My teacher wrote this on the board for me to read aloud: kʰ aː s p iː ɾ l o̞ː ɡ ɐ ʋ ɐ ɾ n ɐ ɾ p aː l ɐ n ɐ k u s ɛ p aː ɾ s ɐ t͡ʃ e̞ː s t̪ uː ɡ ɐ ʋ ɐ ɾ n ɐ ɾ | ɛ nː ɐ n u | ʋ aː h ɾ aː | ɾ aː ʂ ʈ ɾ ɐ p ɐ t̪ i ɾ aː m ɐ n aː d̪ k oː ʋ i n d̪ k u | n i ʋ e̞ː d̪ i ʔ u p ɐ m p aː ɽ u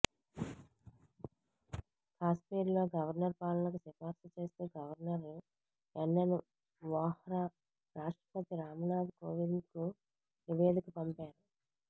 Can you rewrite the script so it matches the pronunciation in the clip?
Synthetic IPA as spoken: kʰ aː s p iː ɾ l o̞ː ɡ ɐ ʋ ɐ ɾ n ɐ ɾ p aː l ɐ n ɐ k u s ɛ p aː ɾ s ɐ t͡ʃ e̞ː s t̪ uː ɡ ɐ ʋ ɐ ɾ n ɐ ɾ | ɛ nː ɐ n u | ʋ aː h ɾ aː | ɾ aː ʂ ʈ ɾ ɐ p ɐ t̪ i ɾ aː m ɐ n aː d̪ k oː ʋ i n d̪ k u | n i ʋ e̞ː d̪ i k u p ɐ m p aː ɾ u